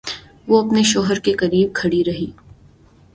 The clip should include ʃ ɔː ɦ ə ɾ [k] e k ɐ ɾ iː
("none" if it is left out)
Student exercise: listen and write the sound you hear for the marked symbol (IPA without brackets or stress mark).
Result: k